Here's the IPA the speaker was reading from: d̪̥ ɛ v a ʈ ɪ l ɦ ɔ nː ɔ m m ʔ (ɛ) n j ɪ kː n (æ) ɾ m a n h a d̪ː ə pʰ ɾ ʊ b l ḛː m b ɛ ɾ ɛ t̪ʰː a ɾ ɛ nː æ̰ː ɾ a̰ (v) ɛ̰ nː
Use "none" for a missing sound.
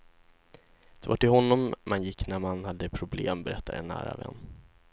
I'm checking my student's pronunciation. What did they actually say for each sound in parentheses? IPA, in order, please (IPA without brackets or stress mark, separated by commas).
a, æ, v